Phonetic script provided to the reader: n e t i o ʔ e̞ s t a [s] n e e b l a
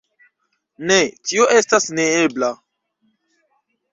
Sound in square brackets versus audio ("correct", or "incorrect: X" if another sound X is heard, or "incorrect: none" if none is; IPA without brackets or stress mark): correct